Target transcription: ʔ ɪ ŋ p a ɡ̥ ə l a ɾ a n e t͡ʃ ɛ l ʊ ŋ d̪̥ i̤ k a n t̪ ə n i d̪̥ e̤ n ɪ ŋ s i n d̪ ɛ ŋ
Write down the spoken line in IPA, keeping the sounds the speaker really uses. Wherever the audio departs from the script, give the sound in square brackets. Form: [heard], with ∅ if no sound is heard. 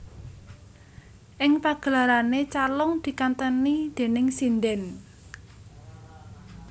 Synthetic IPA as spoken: ʔ ɪ ŋ p a ɡ̥ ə l a ɾ a n e t͡ʃ [a] l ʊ ŋ d̪̥ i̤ k a n t̪ ə n i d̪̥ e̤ n ɪ ŋ s i n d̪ ɛ [n]